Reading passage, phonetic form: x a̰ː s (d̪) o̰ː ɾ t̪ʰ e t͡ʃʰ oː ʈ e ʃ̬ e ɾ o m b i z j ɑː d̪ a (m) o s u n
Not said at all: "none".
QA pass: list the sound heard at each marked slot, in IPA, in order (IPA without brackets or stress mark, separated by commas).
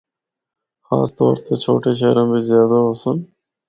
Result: t̪, none